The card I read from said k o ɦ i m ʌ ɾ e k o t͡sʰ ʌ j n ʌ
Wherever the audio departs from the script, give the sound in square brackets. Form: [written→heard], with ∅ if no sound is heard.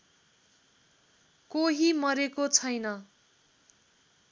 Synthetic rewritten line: k o ɦ i m ʌ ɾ e k o t͡sʰ ʌ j n ʌ

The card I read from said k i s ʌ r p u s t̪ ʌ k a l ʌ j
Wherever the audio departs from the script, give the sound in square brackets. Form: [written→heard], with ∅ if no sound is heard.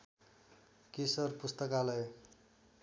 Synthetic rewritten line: k i s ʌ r p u s t̪ ʌ k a l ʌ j

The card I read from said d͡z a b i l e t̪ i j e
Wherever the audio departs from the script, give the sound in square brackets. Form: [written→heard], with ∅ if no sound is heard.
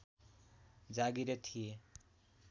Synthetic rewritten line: d͡z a [b→ɡ] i [l→ɾ] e [t̪→t̪ʰ] i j e

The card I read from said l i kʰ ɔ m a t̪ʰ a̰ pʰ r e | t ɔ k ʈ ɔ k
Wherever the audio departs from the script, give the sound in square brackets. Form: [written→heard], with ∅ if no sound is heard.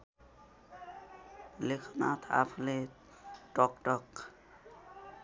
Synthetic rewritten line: l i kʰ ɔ [m→n] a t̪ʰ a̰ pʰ [r→l] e | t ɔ k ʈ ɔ k

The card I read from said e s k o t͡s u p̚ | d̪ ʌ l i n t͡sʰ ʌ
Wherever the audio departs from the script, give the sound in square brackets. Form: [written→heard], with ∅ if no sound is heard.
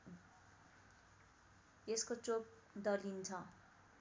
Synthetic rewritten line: e s k o t͡s [u→o] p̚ | d̪ ʌ l i n t͡sʰ ʌ

